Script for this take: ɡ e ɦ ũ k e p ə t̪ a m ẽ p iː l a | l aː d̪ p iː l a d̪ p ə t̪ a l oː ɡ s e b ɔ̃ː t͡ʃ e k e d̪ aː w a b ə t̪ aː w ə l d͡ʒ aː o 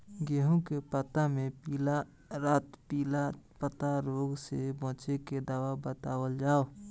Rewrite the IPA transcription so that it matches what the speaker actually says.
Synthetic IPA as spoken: ɡ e ɦ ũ k e p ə t̪ a m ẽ p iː l a | ɾ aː t̪ p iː l a p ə t̪ a ɾ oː ɡ s e b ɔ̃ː t͡ʃ e k e d̪ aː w a b ə t̪ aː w ə l d͡ʒ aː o